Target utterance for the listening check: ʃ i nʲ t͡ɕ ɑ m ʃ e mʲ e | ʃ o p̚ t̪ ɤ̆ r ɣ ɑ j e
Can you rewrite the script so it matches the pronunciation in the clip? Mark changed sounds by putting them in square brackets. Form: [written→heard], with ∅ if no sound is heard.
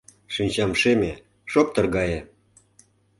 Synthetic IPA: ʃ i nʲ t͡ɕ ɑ m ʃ e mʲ e | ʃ o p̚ t̪ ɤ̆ r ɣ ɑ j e